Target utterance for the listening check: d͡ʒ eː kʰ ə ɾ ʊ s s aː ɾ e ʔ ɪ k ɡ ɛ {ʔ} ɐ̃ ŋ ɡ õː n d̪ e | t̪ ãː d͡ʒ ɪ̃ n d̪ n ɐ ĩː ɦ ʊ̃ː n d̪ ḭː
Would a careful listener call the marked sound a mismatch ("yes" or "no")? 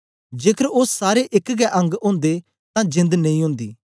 no